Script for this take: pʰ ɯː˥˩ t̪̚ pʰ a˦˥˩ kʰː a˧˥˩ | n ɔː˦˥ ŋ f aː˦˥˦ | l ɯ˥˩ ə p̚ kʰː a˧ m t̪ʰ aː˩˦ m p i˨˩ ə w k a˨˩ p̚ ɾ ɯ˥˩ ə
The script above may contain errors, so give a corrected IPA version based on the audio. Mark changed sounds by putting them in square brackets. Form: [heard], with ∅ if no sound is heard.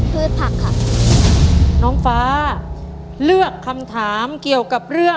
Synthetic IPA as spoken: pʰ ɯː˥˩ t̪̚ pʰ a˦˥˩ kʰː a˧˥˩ | n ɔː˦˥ ŋ f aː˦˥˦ | l ɯ˥˩ ə [∅] kʰː a˧ m t̪ʰ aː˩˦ m [k] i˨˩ ə w k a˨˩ p̚ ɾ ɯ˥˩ ə